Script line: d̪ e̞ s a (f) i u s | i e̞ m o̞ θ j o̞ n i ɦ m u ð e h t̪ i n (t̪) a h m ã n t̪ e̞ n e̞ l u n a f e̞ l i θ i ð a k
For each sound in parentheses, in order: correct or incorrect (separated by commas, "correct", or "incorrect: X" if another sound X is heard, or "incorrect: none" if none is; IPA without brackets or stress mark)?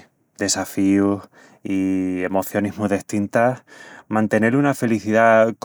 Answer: correct, correct